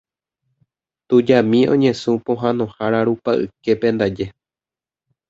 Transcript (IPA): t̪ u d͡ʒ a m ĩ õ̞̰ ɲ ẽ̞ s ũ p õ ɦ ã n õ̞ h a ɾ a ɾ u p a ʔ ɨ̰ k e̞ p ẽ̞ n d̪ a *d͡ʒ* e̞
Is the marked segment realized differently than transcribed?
no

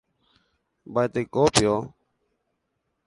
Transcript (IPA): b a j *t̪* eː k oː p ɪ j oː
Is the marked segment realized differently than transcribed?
no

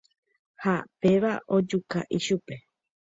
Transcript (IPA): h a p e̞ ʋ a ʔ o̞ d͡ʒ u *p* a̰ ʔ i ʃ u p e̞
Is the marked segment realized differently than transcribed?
yes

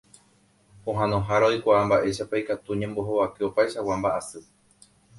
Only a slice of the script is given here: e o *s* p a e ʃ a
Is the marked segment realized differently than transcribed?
yes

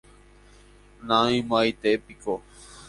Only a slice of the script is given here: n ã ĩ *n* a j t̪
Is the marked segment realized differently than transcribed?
yes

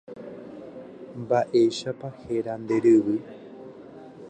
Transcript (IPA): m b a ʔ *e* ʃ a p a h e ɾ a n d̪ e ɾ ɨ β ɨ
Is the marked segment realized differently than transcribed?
no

